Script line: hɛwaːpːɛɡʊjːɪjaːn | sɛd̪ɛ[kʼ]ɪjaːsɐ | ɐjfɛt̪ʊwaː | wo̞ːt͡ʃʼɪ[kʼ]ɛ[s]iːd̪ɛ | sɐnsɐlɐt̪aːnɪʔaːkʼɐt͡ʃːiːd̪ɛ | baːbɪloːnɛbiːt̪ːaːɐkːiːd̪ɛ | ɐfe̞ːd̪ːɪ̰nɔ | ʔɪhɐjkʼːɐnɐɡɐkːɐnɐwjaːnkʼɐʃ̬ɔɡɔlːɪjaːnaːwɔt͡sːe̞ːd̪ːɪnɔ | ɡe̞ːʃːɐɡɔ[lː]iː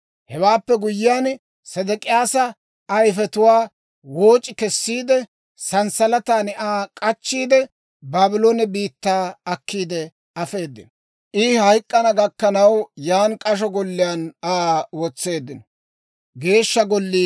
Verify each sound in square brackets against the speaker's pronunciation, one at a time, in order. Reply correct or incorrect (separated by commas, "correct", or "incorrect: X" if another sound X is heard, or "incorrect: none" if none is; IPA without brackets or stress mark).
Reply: correct, incorrect: k, incorrect: sː, correct